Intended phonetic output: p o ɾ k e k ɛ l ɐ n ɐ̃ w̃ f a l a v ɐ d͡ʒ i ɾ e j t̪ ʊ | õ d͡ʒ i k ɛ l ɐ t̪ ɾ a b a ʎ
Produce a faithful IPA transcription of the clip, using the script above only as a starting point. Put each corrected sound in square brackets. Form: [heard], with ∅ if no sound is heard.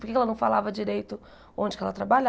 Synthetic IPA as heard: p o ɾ k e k ɛ l ɐ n ɐ̃ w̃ f a l a v ɐ d͡ʒ i ɾ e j t̪ ʊ | õ d͡ʒ [ɪ] k ɛ l ɐ t̪ ɾ a b a ʎ